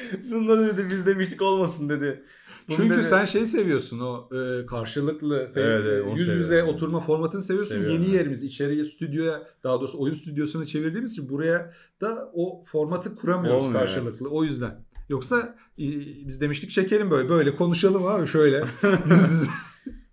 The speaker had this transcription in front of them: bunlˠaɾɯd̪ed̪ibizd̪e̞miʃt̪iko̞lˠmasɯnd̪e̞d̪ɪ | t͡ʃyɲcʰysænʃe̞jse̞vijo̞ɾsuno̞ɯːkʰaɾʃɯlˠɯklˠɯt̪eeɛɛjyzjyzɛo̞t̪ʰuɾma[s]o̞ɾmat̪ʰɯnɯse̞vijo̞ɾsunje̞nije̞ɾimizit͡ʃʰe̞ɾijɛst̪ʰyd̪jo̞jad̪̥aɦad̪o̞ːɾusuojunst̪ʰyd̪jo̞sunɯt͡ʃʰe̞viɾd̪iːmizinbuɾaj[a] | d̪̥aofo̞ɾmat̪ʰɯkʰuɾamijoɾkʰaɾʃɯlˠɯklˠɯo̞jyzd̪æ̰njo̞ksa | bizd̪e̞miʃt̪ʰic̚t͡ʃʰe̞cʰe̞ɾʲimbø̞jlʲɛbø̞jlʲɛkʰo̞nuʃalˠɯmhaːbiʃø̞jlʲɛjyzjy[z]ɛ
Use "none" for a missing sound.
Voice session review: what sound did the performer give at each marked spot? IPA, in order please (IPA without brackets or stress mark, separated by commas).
f, a, z